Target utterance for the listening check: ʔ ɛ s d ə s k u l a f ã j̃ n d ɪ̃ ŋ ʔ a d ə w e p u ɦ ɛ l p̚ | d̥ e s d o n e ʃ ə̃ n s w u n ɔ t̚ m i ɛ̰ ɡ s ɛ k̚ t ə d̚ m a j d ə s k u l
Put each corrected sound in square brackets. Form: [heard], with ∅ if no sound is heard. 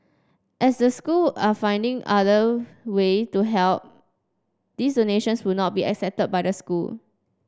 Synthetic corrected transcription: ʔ ɛ s d ə s k u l a f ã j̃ n d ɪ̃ ŋ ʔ a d ə w e [t] u ɦ ɛ l p̚ | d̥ [i] s d o n e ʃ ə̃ n s w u n ɔ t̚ [b] i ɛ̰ [k] s ɛ [p̚] t ə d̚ [b] a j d ə s k u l